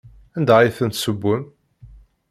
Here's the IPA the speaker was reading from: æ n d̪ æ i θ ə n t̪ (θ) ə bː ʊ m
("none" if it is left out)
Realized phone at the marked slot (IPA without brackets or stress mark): s